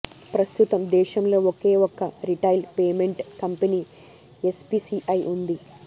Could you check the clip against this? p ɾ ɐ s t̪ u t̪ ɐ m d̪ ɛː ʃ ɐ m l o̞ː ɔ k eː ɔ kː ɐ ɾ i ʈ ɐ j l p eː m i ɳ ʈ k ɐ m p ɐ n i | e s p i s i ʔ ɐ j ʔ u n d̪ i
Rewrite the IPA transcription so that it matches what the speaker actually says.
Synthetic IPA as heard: p ɾ ɐ s t̪ u t̪ ɐ m d̪ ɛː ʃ ɐ m l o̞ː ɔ k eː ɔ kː ɐ ɾ i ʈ ɐ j l p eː m e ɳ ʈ k ɐ m p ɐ n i | e s p i s i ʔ ɐ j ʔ u n d̪ i